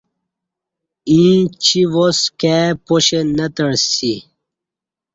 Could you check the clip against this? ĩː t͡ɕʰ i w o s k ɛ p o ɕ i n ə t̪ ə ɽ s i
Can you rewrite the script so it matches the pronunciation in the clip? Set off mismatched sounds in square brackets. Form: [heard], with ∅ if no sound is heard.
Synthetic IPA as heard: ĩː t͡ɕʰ i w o s k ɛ p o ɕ [e] n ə t̪ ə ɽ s i